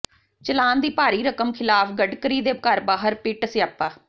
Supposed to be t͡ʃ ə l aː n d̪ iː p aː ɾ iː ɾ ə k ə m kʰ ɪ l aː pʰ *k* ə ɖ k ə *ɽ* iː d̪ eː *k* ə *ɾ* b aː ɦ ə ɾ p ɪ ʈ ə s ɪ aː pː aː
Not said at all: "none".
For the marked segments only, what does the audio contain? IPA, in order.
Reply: ɡ, ɾ, k, ɾ

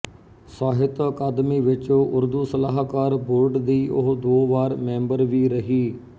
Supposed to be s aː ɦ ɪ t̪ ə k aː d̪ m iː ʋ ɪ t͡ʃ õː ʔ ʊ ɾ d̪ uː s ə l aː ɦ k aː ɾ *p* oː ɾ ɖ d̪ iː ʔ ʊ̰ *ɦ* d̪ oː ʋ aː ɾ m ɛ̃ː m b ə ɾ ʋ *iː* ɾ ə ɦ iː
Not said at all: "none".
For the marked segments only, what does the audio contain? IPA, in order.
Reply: b, ɦ, iː

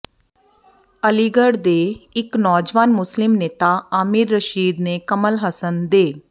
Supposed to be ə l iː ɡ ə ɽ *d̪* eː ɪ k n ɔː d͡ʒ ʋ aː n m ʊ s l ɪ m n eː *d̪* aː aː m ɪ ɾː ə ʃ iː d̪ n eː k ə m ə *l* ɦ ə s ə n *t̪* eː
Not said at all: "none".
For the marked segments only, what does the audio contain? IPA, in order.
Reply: d̪, t̪, l, d̪

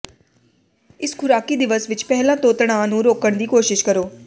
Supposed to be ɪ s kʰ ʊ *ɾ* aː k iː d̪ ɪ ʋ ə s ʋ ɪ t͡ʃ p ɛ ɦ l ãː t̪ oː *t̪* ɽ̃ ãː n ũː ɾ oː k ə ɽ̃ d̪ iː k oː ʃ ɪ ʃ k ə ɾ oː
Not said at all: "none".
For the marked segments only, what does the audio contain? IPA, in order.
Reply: ɾ, t̪

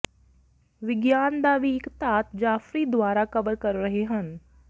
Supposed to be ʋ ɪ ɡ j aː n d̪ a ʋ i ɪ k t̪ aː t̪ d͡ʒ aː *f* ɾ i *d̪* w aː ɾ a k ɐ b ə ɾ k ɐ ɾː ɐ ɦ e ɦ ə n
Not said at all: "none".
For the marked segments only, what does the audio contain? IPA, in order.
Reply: f, d̪

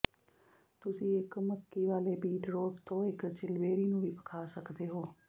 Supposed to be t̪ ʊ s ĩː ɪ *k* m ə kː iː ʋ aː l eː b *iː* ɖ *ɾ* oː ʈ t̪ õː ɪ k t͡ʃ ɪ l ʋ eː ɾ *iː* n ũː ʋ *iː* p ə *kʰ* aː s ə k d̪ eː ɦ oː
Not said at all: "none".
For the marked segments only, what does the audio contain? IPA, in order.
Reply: k, iː, ɾ, iː, iː, kʰ

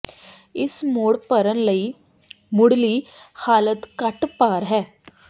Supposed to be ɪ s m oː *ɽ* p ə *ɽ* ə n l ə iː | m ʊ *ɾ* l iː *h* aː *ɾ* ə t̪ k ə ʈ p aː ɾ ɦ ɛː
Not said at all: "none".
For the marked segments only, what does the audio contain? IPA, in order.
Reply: ɽ, ɾ, ɽ, h, l

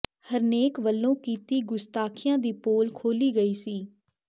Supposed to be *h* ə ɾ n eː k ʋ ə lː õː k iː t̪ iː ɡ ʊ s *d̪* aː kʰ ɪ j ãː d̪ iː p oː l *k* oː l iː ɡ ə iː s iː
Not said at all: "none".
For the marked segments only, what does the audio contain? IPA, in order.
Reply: h, t̪, kʰ

